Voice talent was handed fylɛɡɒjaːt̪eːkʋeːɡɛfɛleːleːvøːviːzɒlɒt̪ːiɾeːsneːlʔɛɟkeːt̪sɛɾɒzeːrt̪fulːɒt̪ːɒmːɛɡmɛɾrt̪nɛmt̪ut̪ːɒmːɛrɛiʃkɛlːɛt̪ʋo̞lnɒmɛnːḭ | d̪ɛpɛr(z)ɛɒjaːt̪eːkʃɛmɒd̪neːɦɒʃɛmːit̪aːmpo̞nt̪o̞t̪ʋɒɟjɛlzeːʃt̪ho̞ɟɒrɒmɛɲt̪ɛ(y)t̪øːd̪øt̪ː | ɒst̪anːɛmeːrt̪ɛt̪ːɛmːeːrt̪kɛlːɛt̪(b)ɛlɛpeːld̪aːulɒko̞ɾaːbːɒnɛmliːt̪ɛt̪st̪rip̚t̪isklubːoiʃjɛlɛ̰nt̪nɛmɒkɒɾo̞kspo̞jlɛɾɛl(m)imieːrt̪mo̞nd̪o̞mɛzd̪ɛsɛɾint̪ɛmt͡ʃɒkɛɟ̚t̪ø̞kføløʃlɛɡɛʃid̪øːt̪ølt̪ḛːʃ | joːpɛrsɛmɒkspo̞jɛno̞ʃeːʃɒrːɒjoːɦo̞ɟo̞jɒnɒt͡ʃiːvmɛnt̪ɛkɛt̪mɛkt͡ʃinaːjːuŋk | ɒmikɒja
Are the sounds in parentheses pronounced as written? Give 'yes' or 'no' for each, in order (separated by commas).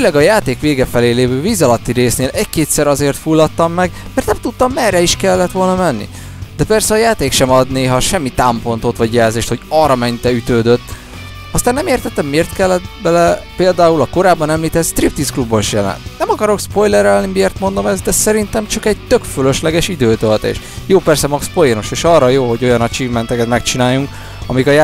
no, yes, yes, no